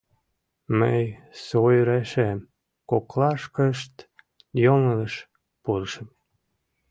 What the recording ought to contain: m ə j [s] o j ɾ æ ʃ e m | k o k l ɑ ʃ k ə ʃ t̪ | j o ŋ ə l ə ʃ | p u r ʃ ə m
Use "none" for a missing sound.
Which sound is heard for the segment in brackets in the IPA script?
s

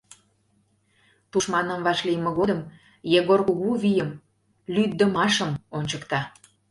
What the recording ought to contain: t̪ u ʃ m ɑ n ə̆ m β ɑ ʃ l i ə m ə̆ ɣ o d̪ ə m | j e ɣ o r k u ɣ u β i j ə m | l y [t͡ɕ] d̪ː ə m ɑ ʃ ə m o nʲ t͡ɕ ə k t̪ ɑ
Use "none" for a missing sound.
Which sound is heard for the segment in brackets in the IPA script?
none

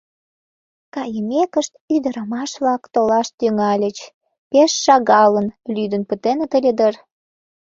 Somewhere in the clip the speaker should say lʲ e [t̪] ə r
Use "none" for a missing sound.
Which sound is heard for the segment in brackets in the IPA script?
d̪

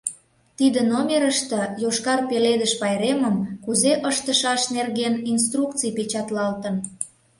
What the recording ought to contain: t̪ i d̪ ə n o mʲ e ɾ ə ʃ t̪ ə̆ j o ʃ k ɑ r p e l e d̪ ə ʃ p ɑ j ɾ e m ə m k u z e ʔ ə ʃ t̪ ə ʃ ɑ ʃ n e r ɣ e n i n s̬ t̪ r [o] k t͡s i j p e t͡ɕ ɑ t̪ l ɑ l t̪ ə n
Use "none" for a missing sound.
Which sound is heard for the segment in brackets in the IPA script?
u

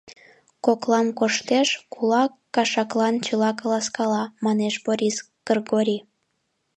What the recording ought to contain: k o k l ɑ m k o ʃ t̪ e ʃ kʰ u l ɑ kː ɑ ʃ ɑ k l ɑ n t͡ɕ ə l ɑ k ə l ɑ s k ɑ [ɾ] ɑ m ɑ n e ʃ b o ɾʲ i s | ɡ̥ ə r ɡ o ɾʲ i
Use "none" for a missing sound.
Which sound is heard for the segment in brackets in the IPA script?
l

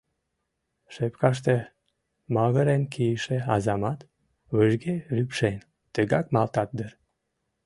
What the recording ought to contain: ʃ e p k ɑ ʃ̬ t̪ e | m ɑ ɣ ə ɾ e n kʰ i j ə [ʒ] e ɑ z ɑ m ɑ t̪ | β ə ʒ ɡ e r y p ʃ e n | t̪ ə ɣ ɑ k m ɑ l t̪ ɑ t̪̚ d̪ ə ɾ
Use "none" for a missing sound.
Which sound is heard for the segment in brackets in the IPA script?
ʃ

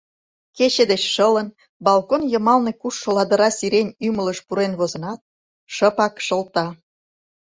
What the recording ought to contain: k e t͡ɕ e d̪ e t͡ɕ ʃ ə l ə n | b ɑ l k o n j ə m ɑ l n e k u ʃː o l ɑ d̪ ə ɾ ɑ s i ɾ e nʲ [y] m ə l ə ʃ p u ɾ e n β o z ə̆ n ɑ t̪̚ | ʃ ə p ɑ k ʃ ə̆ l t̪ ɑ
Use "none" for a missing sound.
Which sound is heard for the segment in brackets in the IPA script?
y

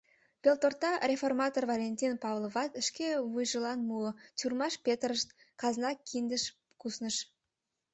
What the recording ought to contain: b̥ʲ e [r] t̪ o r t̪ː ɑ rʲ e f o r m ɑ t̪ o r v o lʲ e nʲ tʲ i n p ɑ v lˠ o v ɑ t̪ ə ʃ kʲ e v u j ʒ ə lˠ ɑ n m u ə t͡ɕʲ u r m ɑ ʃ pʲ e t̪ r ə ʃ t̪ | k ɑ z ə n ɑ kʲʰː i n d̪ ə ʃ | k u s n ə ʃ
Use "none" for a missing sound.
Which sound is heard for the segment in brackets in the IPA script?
l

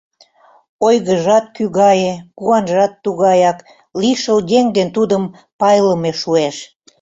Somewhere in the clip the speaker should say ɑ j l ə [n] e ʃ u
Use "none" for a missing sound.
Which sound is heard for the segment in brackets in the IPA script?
m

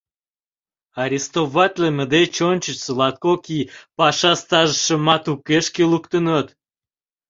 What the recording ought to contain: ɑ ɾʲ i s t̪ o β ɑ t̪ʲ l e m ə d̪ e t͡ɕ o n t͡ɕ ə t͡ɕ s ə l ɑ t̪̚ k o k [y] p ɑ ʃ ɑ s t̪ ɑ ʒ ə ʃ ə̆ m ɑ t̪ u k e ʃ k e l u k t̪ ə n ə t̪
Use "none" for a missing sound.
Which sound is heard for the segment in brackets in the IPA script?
i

